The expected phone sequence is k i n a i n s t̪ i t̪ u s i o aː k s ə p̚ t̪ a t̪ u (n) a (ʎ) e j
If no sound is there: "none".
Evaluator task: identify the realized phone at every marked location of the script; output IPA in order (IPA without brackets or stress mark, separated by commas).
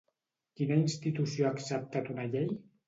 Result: n, ʎ